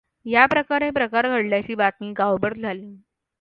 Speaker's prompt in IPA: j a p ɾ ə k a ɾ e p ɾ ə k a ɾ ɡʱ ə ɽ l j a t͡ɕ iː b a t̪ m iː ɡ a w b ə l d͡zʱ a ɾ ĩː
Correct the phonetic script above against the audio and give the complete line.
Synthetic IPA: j a p ɾ ə k a ɾ e p ɾ ə k a ɾ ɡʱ ə ɽ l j a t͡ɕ iː b a t̪ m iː ɡ a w b ə ɾ d͡zʱ a l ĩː

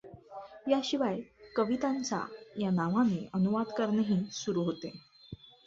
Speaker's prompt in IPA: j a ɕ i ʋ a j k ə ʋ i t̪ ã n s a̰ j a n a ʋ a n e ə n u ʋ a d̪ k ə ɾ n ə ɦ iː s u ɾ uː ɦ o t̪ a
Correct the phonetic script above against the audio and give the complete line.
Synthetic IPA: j a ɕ i ʋ a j k ə ʋ i t̪ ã n t͡s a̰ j a n a ʋ a n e ə n u ʋ a d̪ k ə ɾ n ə ɦ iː s u ɾ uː ɦ o t̪ e

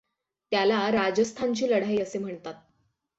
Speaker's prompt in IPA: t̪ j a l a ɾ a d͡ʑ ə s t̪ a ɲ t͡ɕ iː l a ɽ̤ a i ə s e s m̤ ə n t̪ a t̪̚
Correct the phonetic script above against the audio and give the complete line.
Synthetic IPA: t̪ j a l a ɾ a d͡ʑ ə s t̪ʰ a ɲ t͡ɕ iː l ə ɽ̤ a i ə s e m̤ ə ɳ t̪ a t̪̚

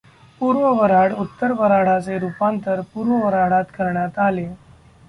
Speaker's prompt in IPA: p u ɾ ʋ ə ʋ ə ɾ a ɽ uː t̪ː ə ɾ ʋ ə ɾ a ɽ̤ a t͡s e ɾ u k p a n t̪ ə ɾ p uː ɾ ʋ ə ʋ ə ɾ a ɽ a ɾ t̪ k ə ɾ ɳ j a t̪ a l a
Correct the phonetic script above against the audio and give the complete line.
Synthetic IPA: p u ɾ ʋ ə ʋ ə ɾ a ɽ u t̪ː ə ɾ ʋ ə ɾ a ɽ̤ a t͡s e ɾ u p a n t̪ ə ɾ p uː ɾ ʋ ə ʋ ə ɾ a ɽ a t̪ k ə ɾ ɳ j a t̪ a l e

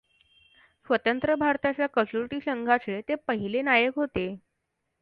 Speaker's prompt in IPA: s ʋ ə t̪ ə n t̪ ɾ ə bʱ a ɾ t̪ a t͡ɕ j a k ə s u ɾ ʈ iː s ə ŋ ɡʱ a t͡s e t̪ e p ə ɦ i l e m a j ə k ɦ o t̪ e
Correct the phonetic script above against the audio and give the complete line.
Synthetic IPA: s ʋ ə t̪ ə n t̪ ɾ ə bʱ a ɾ t̪ a t͡ɕ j a k ə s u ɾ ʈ iː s ə ŋ ɡʱ a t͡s e t̪ e p ə ɦ i l e n a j ə k ɦ o t̪ e

